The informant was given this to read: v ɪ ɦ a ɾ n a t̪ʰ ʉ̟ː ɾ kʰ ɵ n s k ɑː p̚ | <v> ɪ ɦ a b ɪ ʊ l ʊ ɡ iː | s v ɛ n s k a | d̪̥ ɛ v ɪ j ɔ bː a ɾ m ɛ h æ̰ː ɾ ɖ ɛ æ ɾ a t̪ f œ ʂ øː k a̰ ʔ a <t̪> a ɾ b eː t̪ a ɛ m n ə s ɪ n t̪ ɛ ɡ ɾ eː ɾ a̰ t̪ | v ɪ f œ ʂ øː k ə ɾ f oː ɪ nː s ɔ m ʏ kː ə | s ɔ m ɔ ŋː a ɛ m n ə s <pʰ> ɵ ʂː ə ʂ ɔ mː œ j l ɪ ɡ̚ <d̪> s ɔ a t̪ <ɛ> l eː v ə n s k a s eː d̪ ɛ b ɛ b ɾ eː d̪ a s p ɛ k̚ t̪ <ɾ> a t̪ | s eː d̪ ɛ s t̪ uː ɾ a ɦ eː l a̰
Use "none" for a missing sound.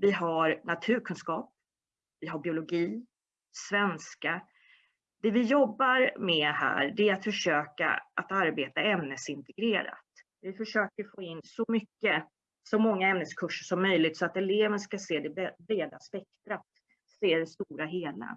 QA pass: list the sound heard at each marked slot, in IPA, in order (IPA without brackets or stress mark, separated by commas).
v, t̪, kʰ, t̪, ɛ, ɾ